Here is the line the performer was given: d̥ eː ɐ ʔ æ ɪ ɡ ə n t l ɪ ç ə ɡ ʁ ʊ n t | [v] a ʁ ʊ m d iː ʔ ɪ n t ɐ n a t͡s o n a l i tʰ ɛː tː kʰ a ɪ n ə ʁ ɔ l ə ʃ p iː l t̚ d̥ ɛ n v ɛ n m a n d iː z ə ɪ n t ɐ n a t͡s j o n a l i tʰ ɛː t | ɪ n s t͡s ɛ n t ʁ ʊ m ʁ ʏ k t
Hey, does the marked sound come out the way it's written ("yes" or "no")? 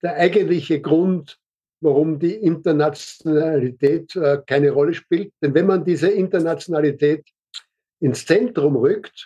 yes